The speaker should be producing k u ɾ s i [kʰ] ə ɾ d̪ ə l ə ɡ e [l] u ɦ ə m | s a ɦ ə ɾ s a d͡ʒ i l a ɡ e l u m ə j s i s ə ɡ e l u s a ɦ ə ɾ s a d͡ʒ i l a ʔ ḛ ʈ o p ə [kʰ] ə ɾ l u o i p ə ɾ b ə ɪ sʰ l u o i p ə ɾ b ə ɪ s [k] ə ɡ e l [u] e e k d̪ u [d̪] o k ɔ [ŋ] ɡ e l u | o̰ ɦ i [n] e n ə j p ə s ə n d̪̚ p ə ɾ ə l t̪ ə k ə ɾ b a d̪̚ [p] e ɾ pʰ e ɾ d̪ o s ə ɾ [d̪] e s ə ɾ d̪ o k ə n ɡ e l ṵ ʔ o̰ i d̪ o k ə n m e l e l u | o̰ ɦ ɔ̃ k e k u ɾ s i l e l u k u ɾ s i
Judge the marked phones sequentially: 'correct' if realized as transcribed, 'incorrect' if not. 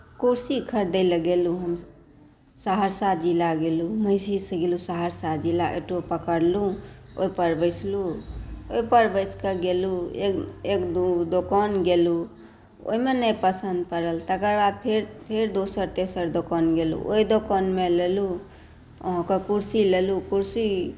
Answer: correct, correct, incorrect: k, correct, correct, correct, incorrect: n, incorrect: m, incorrect: pʰ, incorrect: t̪

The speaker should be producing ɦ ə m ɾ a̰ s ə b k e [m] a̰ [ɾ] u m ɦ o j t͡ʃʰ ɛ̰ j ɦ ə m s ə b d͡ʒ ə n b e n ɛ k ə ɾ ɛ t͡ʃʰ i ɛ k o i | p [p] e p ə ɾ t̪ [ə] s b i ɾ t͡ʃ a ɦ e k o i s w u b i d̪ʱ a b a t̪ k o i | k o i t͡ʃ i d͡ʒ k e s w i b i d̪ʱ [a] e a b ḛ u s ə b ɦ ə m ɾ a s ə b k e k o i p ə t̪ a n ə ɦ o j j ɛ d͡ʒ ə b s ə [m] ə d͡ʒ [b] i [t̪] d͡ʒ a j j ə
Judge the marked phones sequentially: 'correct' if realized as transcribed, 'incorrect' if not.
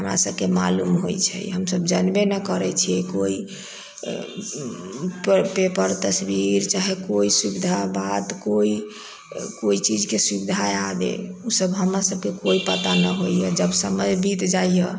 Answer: correct, incorrect: l, correct, correct, correct, correct, correct, correct

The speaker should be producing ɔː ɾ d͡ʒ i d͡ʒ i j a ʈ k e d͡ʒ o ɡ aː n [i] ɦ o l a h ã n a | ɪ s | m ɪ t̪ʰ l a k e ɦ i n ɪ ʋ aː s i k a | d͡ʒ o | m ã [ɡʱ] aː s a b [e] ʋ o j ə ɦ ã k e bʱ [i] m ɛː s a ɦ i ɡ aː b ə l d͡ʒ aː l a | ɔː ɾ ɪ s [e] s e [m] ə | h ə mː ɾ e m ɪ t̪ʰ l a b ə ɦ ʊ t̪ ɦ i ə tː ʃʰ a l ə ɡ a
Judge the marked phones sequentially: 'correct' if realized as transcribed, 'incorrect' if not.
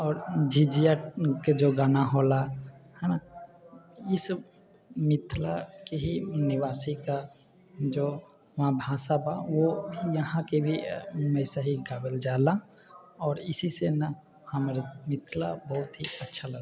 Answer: incorrect: a, incorrect: bʱ, incorrect: a, correct, incorrect: i, incorrect: n

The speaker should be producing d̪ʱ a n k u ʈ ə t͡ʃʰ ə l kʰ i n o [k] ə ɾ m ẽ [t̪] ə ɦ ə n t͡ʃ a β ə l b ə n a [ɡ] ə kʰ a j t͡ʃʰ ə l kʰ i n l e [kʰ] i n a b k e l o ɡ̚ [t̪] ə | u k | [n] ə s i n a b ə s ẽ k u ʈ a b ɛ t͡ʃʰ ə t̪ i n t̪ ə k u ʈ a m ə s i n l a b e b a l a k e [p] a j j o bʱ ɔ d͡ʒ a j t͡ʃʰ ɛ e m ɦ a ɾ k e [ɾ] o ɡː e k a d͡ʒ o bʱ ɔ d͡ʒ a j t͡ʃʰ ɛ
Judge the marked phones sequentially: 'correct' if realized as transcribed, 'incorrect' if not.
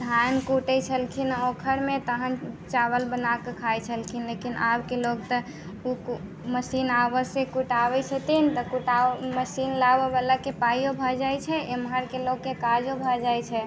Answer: incorrect: kʰ, correct, incorrect: k, incorrect: k, correct, incorrect: m, correct, incorrect: l

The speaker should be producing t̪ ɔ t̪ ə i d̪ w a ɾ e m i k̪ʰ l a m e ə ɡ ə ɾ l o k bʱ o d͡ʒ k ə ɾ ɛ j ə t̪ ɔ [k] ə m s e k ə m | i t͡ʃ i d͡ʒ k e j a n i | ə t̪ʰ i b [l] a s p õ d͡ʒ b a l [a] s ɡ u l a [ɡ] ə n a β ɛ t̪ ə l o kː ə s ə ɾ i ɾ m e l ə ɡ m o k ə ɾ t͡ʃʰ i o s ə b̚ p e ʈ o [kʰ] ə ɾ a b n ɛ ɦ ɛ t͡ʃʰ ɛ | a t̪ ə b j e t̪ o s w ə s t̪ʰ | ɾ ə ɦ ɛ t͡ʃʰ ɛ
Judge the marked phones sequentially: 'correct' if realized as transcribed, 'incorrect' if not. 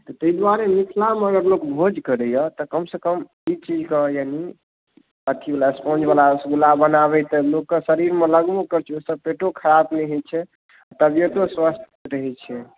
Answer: correct, correct, correct, incorrect: b, correct

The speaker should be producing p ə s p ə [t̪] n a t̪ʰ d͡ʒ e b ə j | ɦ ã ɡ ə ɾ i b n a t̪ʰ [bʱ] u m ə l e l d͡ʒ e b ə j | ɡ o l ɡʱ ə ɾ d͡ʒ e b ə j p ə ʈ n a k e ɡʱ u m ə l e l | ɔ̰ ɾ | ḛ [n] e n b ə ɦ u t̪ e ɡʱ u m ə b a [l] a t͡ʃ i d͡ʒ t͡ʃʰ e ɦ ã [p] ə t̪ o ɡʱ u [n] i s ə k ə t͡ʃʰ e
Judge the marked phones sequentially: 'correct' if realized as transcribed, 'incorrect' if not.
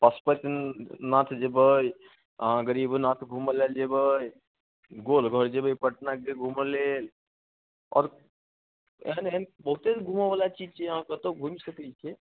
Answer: correct, incorrect: ɡʱ, correct, correct, incorrect: k, incorrect: m

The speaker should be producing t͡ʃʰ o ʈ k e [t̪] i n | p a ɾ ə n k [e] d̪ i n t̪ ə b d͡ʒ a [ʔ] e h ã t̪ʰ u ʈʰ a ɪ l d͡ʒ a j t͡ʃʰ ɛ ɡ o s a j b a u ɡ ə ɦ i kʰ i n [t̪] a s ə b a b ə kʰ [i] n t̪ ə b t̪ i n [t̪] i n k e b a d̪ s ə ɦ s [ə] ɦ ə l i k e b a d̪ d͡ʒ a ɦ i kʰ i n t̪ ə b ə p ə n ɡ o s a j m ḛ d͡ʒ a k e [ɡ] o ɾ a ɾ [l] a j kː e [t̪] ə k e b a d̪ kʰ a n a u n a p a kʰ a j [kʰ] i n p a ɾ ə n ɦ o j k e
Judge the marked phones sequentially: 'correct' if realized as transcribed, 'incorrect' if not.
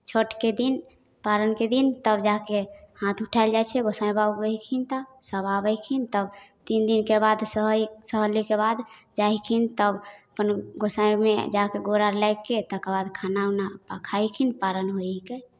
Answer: incorrect: d̪, correct, incorrect: k, correct, correct, incorrect: d̪, correct, correct, correct, correct, correct

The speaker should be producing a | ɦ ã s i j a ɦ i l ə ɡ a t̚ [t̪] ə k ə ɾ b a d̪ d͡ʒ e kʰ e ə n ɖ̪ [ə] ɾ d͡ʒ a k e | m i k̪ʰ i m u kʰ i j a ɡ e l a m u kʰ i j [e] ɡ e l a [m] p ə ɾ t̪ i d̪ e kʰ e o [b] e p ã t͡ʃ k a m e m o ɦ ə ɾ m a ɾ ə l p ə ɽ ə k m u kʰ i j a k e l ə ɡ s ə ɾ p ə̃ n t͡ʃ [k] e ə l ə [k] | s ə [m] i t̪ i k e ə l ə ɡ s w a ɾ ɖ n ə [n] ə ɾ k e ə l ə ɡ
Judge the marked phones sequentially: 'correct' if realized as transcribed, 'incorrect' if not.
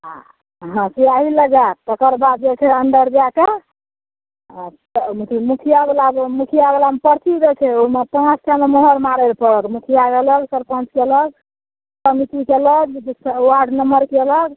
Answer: correct, correct, incorrect: a, correct, incorrect: m, correct, incorrect: ɡ, correct, incorrect: m

